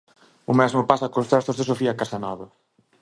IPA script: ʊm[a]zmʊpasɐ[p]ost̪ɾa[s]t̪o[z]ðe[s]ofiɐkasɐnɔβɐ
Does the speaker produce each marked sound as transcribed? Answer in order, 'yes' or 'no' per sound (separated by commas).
no, no, yes, yes, yes